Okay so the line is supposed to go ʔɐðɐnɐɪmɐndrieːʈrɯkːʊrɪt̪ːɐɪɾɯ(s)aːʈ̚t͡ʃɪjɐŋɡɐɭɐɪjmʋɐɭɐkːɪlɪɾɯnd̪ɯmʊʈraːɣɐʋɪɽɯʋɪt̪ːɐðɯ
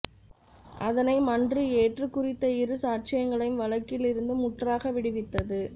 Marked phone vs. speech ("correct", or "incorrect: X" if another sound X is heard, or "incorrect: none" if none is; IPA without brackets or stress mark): correct